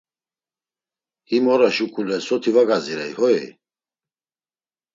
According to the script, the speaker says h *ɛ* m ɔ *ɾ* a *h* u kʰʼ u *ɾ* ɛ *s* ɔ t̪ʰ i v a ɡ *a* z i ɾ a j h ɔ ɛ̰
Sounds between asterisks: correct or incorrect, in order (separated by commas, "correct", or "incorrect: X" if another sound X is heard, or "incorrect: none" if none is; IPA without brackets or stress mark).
incorrect: i, correct, incorrect: ʃ, incorrect: l, correct, correct